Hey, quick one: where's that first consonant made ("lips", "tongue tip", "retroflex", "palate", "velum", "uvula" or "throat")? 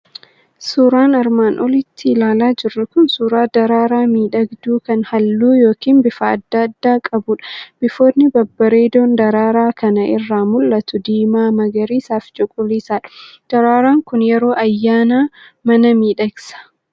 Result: tongue tip